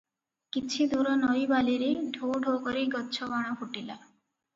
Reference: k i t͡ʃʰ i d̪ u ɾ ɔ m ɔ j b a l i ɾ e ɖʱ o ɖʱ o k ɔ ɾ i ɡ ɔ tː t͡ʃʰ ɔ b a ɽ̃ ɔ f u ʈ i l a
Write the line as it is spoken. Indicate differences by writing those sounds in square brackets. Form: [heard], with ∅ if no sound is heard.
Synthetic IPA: k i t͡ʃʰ i d̪ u ɾ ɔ [n] ɔ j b a l i ɾ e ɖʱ o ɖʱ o k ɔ ɾ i ɡ ɔ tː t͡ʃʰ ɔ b a ɽ̃ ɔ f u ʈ i l a